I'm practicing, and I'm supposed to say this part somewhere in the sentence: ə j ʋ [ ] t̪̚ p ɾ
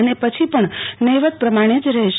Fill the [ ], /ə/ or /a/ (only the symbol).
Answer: ə